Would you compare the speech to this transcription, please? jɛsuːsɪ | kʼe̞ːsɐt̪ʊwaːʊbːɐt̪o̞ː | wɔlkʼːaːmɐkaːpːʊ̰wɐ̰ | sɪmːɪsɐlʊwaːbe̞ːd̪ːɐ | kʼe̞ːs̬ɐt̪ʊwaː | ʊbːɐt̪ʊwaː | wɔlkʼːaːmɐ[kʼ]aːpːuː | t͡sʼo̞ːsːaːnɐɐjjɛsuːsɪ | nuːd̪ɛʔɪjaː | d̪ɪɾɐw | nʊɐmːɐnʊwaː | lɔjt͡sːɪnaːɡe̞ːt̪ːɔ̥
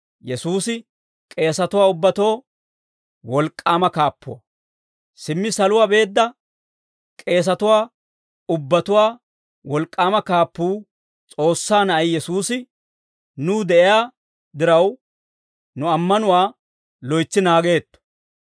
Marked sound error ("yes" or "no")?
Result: yes